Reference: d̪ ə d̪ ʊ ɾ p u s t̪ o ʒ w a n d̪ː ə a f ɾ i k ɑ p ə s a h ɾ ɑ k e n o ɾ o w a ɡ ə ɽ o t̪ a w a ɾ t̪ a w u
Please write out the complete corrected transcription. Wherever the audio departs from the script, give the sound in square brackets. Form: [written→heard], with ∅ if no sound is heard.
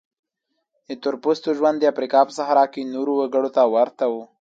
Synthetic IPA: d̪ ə [d̪→t̪] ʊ ɾ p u s t̪ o ʒ w a n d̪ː ə a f ɾ i k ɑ p ə s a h ɾ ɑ k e n o ɾ o w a ɡ ə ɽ o t̪ a w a ɾ t̪ a w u